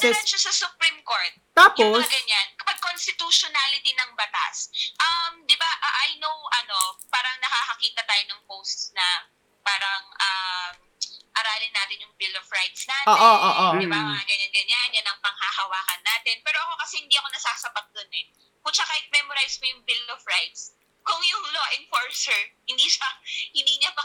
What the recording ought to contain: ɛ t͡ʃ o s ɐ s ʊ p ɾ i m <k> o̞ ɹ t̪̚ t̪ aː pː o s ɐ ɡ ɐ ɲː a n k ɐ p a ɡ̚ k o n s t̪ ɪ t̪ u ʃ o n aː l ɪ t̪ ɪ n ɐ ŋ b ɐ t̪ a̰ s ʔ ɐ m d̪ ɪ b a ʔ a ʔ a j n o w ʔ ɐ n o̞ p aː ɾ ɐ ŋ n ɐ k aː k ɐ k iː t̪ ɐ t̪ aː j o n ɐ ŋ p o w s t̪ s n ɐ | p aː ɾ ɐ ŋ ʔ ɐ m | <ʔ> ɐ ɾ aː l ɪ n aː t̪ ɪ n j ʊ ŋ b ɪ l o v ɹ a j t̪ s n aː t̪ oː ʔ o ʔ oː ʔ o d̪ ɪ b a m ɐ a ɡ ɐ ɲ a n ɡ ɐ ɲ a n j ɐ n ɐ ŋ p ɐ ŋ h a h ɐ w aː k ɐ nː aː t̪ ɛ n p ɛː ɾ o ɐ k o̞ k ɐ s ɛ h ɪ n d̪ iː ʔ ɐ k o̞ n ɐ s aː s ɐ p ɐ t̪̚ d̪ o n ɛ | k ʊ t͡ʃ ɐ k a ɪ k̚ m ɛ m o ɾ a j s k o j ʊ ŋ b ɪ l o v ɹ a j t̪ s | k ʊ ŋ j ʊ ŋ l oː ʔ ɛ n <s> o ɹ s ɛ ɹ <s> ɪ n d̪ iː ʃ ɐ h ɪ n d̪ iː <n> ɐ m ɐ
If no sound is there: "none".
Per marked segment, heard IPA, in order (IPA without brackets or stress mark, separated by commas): k, ʔ, f, h, ɲ